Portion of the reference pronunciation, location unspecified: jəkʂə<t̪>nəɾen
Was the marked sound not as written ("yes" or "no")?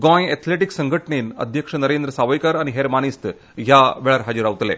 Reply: yes